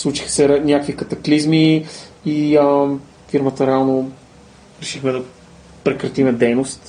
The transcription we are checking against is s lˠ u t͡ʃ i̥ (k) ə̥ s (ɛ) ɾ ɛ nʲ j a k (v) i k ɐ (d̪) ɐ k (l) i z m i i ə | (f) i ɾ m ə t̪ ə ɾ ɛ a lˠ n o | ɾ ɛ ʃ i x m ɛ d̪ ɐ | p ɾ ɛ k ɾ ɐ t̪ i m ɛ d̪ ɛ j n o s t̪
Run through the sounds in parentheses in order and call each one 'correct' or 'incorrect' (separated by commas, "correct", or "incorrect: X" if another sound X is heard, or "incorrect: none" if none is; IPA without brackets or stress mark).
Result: incorrect: x, correct, correct, incorrect: t̪, correct, correct